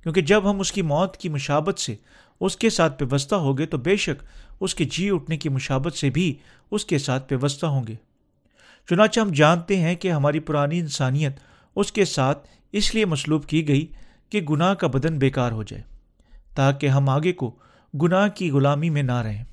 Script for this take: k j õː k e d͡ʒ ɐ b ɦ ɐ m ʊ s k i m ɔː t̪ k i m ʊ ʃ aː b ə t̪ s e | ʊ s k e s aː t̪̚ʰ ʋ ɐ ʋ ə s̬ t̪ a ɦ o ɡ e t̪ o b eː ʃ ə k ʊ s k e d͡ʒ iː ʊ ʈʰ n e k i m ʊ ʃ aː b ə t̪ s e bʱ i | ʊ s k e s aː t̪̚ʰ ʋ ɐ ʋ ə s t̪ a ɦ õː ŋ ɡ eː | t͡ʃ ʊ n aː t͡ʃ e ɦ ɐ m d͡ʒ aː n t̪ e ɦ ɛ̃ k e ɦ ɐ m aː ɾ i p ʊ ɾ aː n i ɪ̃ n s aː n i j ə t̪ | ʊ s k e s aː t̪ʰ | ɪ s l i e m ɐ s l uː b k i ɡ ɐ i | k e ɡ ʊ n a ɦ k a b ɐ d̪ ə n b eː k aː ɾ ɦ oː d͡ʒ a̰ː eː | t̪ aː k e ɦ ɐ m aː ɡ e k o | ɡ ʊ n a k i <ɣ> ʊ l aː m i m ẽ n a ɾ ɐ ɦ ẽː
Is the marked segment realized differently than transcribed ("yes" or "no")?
no